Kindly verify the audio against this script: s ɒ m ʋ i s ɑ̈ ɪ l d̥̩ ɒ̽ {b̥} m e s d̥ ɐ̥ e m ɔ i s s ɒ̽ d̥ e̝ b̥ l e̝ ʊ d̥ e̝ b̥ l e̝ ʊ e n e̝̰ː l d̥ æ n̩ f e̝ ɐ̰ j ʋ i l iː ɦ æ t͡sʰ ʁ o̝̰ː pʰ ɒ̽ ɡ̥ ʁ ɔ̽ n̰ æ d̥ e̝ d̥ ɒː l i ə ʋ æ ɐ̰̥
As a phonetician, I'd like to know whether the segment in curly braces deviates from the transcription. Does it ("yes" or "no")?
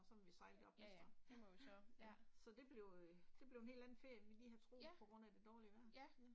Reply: no